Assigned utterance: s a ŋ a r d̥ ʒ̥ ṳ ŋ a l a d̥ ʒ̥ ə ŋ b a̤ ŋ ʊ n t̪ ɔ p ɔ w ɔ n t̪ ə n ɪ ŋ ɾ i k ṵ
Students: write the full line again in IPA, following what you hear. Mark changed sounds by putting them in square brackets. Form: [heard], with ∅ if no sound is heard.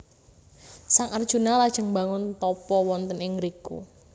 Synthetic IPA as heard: s a ŋ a r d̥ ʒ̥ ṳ [n] a l a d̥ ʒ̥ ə ŋ b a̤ ŋ ʊ n t̪ ɔ p ɔ w ɔ n t̪ ə n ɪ ŋ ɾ i k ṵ